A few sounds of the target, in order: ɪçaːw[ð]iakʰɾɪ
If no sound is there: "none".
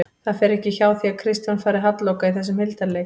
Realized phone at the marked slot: θ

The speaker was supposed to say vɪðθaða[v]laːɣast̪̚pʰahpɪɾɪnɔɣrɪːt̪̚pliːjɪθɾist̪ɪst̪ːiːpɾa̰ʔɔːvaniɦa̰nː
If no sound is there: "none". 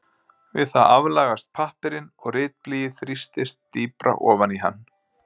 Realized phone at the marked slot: v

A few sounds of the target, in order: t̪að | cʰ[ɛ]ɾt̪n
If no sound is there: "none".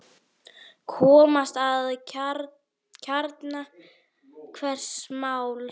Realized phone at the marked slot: a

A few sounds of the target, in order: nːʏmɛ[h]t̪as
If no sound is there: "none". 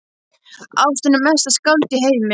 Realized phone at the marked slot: s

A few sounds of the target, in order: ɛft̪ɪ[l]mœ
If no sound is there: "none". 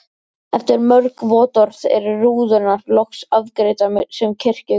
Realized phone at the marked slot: ɾ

